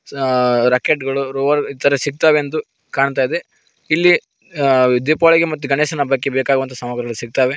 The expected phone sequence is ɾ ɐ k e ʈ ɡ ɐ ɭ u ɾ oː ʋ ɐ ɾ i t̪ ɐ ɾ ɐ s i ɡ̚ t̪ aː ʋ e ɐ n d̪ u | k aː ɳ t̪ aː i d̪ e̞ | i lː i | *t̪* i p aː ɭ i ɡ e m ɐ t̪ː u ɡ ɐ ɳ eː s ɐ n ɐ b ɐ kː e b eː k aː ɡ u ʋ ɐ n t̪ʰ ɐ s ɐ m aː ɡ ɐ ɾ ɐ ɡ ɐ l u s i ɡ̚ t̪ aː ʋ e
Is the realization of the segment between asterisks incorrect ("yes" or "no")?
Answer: yes